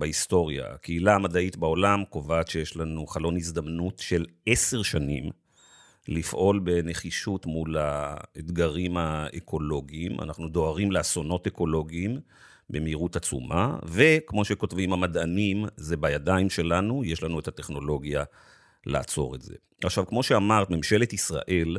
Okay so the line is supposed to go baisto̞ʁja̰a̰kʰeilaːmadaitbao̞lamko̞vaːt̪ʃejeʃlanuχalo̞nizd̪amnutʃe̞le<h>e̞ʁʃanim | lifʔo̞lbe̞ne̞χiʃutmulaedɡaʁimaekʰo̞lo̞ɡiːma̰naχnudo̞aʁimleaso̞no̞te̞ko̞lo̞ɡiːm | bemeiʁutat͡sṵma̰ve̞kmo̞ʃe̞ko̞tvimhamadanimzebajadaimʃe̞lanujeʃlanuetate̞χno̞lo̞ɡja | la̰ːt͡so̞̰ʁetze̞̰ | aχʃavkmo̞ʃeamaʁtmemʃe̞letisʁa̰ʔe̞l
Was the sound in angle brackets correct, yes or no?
no